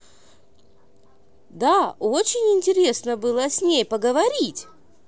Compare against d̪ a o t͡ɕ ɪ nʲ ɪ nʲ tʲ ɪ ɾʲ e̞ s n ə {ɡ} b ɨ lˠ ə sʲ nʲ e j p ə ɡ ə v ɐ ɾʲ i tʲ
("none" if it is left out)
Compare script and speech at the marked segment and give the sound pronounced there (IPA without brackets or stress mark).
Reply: none